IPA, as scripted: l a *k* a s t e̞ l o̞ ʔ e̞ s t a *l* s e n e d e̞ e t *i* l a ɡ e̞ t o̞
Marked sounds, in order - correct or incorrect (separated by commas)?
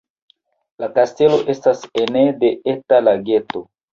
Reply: correct, incorrect, incorrect